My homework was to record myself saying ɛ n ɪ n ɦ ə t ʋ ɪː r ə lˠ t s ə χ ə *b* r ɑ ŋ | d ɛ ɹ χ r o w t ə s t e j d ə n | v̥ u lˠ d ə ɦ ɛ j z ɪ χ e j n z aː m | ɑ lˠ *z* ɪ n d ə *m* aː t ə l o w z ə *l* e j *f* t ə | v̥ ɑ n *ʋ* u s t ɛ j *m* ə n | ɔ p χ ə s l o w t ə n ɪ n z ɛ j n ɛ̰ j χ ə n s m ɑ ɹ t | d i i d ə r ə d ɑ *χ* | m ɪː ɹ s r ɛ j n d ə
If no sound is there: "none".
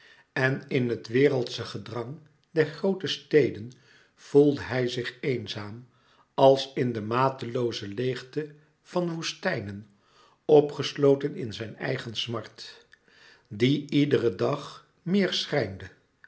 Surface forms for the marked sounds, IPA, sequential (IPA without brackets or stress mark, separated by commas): d, s, m, l, χ, ʋ, n, χ